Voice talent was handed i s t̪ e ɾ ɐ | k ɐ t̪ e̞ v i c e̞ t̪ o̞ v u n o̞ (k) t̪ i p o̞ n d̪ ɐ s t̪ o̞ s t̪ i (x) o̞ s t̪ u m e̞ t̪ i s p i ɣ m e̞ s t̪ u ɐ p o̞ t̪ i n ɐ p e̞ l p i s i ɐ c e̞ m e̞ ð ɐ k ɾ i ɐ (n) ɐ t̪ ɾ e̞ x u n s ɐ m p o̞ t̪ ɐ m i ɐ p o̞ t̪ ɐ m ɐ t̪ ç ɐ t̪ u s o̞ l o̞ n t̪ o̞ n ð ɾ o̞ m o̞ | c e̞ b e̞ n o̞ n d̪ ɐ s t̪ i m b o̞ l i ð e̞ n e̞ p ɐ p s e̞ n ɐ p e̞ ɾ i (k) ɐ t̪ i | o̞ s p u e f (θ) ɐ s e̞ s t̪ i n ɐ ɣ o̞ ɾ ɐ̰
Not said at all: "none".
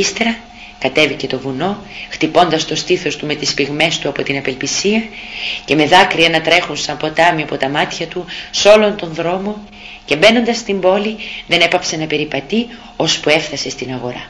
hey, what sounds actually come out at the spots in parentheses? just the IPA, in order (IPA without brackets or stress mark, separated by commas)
x, θ, n, p, θ